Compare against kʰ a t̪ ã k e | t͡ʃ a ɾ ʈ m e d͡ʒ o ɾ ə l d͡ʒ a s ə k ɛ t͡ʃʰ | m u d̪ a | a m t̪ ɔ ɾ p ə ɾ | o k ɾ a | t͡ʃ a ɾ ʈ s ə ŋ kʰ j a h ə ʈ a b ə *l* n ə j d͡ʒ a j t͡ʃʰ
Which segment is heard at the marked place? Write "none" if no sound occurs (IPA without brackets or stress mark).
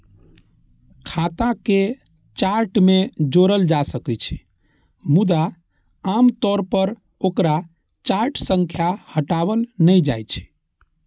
l